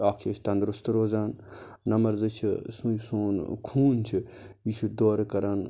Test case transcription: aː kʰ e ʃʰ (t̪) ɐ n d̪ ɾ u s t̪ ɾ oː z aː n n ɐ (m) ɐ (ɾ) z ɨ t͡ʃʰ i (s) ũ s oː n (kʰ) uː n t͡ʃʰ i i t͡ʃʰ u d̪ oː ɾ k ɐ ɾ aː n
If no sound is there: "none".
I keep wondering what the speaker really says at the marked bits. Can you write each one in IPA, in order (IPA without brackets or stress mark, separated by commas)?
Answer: t̪, m, ɾ, s, kʰ